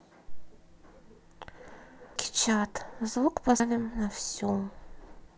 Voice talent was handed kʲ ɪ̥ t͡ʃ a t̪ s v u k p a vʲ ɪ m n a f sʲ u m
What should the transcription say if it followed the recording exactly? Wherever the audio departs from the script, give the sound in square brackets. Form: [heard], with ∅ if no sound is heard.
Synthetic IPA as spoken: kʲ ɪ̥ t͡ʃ a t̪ [z] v u k p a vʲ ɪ m n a f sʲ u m